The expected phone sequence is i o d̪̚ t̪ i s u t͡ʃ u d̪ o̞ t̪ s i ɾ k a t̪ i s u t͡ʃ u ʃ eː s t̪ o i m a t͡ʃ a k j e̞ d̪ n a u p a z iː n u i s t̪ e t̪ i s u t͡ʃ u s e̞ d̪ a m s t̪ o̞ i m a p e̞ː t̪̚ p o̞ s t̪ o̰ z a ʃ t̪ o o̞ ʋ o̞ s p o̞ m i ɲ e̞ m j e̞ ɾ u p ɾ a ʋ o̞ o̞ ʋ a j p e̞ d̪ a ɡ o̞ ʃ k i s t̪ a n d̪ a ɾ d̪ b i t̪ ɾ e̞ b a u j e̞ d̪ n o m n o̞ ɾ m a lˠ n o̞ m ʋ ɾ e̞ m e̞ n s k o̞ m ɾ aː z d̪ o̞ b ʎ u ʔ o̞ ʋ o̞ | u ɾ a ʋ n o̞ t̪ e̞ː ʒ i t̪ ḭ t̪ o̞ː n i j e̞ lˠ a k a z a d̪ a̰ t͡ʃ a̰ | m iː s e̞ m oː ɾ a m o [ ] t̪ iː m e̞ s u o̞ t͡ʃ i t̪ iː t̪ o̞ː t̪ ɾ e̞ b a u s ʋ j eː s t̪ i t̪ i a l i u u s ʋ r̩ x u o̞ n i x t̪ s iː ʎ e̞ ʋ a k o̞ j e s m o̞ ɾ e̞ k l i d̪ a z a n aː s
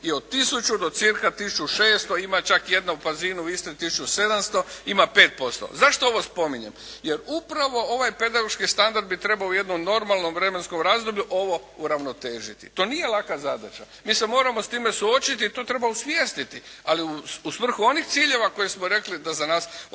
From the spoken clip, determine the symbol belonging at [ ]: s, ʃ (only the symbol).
s